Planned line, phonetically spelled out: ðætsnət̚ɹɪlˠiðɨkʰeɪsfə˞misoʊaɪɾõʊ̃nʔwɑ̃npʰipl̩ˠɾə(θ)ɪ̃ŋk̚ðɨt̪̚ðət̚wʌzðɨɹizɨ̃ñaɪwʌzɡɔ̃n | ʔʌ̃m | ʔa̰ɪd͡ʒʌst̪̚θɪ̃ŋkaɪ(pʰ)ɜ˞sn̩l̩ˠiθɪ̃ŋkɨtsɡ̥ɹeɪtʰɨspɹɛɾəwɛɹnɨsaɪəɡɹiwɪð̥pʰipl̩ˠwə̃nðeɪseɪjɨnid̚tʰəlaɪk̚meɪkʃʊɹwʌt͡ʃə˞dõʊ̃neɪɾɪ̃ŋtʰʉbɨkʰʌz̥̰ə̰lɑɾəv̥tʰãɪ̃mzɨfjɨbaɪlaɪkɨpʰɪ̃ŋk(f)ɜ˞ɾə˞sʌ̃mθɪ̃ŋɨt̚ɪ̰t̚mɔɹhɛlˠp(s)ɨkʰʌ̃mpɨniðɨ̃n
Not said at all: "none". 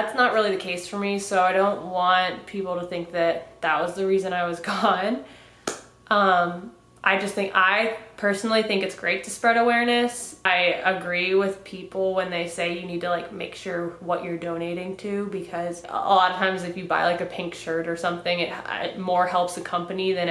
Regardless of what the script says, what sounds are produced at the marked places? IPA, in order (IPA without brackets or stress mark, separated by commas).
θ, pʰ, ʃ, s